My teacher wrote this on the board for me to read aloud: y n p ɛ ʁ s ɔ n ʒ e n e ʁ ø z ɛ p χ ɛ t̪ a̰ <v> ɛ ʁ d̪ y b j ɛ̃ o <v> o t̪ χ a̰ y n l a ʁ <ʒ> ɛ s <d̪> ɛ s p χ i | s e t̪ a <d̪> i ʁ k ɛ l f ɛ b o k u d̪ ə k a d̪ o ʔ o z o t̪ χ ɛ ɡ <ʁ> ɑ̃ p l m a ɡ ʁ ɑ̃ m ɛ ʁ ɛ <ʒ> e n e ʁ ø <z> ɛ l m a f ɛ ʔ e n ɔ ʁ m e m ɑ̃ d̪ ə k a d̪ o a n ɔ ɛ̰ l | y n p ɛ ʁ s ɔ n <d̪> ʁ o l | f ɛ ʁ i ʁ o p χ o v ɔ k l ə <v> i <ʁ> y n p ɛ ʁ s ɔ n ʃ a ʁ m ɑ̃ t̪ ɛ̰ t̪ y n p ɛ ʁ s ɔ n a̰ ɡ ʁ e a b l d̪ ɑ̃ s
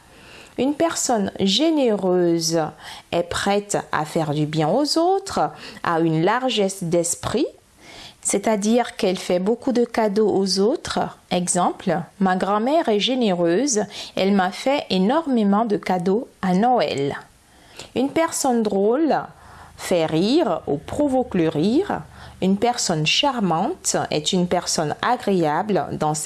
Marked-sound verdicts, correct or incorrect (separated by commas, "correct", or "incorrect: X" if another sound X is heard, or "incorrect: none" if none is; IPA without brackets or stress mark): incorrect: f, incorrect: z, correct, correct, correct, incorrect: z, correct, correct, correct, incorrect: ʁ, correct